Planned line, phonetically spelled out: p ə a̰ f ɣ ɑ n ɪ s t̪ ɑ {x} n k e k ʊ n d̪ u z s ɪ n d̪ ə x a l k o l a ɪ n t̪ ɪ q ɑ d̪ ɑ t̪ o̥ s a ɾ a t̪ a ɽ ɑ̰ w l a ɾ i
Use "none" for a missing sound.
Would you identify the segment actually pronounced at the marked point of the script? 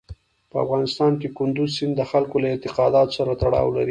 none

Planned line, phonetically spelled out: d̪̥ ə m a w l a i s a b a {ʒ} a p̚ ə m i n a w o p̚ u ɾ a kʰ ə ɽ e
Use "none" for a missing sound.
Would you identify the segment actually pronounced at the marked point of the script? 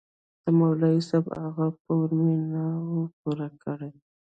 ɣ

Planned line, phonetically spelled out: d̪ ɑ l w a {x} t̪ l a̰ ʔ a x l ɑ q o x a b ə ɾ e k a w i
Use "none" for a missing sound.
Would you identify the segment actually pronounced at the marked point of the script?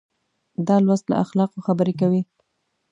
s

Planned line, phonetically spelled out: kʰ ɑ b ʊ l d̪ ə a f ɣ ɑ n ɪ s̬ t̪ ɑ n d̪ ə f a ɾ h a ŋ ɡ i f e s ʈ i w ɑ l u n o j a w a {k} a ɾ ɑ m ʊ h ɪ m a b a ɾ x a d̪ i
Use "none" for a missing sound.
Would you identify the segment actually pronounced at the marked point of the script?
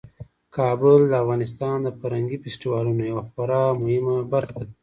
x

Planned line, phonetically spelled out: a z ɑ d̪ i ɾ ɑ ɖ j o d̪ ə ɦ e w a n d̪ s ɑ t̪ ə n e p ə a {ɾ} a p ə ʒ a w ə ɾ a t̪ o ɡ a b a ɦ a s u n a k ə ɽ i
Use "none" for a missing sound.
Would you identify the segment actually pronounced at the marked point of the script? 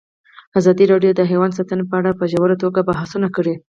ɽ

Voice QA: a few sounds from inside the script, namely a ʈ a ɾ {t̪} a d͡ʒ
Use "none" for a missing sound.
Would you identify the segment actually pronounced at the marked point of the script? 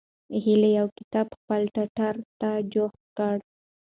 t̪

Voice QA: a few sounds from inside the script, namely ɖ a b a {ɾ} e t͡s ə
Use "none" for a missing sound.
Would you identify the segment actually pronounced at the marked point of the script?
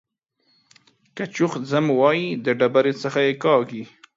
ɾ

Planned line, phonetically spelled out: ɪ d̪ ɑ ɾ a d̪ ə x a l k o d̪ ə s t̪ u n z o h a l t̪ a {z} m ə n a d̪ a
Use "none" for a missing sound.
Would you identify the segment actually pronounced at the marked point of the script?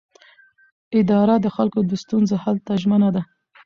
ʒ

